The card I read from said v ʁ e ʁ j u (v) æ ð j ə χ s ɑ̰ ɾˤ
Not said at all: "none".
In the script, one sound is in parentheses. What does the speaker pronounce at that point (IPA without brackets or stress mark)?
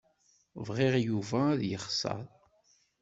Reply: v